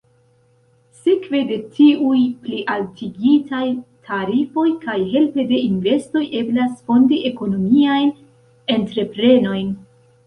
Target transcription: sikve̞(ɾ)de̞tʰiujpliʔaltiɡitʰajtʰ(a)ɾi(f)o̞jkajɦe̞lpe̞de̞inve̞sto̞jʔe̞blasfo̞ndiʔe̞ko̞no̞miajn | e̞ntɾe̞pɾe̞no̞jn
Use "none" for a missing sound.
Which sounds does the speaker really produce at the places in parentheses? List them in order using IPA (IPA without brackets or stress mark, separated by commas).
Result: none, a, f